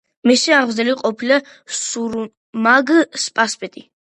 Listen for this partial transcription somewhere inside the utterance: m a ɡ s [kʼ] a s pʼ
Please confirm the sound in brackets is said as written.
no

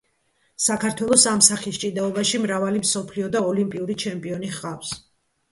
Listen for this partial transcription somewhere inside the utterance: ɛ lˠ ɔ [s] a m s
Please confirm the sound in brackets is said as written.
yes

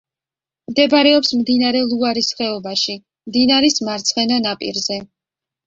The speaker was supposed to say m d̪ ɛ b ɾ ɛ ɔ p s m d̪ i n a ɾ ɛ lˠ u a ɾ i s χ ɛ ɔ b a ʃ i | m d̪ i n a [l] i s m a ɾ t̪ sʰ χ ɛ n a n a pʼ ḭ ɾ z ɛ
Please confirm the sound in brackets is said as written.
no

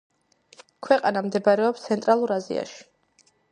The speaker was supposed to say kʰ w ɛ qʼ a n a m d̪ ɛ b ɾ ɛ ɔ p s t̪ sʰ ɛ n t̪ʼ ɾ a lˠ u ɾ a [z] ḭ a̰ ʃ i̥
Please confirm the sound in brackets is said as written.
yes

